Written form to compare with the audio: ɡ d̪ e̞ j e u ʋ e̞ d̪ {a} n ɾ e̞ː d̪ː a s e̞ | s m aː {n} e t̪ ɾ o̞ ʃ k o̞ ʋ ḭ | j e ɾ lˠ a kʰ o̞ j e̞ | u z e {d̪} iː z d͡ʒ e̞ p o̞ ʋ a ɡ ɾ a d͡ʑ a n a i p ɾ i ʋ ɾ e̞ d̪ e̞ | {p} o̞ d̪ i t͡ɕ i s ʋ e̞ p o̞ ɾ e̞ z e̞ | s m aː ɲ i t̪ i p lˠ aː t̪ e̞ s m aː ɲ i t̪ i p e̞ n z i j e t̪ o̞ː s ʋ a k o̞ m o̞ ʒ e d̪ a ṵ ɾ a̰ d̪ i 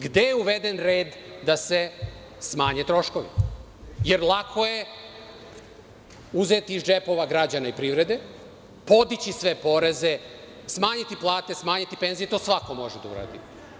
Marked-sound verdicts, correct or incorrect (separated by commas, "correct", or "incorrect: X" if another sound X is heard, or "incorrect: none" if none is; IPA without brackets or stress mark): incorrect: e, incorrect: ɲ, incorrect: t̪, correct